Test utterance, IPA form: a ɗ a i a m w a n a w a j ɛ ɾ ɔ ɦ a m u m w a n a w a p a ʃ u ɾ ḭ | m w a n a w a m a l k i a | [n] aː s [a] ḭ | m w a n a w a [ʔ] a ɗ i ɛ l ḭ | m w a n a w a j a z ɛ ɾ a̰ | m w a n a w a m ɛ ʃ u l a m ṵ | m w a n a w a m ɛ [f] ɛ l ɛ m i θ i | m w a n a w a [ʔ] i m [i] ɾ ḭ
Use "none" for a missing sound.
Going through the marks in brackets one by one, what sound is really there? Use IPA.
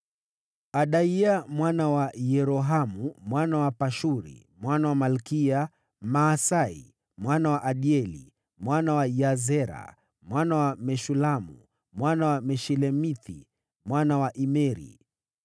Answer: m, a, ʔ, ʃ, ʔ, ɛ

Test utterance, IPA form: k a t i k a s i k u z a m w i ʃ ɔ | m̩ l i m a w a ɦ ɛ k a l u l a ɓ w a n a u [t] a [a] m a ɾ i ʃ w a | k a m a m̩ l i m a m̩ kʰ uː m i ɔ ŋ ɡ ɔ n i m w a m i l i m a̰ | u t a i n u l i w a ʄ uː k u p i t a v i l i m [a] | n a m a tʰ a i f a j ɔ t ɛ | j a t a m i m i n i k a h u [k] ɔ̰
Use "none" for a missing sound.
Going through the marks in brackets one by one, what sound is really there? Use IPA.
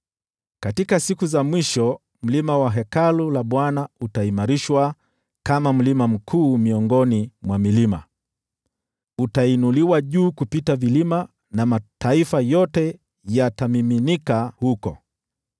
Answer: t, i, a, k

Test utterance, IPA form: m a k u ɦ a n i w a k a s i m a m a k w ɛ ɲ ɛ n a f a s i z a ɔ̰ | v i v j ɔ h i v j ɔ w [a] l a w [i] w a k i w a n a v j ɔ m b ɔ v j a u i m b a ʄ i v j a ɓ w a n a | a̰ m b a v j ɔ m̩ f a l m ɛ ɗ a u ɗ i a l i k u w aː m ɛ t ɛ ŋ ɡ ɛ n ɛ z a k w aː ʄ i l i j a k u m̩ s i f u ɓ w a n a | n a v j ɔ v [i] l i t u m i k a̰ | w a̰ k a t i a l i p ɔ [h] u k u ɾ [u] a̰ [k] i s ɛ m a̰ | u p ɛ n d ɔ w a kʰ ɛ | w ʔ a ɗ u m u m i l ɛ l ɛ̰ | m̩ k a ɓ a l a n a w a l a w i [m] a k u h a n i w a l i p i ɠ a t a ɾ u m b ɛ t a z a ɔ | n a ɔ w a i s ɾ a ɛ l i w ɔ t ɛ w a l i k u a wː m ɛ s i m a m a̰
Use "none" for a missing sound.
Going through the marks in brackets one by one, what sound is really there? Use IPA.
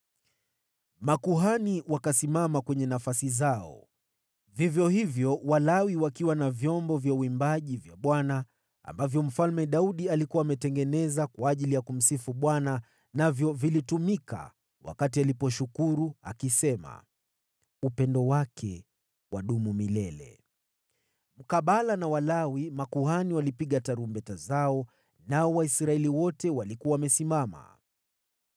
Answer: a, i, i, ʃ, u, k, m

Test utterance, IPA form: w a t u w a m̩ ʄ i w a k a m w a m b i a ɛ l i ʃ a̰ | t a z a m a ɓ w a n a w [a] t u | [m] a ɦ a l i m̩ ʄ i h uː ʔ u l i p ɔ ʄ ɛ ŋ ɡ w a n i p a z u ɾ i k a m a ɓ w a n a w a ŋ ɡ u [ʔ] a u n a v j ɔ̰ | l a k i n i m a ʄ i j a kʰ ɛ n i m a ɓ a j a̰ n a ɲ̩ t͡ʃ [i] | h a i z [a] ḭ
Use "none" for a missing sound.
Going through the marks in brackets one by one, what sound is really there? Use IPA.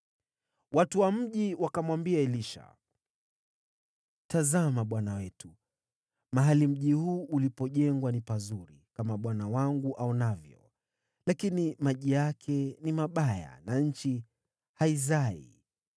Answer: ɛ, m, ʔ, i, a

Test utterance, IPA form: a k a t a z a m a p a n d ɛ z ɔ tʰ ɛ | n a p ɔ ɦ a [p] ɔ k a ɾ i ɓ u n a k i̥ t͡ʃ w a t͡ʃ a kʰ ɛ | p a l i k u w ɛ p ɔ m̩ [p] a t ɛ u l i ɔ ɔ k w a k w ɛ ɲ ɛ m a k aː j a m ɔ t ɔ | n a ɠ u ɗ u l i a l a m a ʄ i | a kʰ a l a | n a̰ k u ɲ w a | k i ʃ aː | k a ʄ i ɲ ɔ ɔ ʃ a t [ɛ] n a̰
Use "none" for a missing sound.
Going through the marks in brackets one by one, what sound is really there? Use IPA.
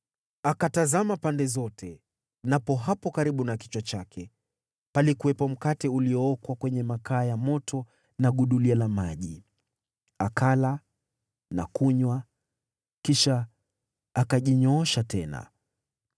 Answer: p, k, ɛ

